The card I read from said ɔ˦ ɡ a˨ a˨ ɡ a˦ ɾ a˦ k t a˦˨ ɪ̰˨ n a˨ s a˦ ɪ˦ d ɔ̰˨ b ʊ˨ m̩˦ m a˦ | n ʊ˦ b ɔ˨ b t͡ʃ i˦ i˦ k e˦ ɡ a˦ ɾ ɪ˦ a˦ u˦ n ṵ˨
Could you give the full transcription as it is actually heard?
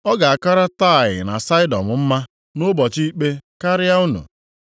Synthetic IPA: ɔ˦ ɡ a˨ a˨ k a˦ ɾ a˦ t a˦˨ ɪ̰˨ n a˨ s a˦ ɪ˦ d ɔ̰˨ m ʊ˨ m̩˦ m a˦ | n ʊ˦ b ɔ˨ t͡ʃ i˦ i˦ k͡p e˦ k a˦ ɾ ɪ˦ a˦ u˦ n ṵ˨